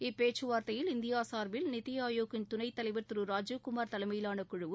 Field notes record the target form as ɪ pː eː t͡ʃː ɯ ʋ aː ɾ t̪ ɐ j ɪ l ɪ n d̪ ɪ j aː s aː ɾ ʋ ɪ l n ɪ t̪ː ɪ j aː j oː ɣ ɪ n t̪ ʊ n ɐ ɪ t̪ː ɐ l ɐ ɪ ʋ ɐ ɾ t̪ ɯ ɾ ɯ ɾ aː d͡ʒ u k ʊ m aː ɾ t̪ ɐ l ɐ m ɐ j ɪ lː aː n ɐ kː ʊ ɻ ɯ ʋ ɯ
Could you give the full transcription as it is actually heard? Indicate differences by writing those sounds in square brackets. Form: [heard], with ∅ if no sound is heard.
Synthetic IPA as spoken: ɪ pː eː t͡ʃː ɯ ʋ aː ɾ t̪ ɐ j ɪ l ɪ n d̪ ɪ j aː s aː ɾ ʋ ɪ l n ɪ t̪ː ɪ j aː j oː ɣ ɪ n t̪ ʊ n ɐ ɪ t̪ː ɐ l ɐ ɪ ʋ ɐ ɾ t̪ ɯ ɾ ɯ ɾ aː d͡ʒ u k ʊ m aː ɾ t̪ ɐ l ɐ m ɐ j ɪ [l] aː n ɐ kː ʊ ɻ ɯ ʋ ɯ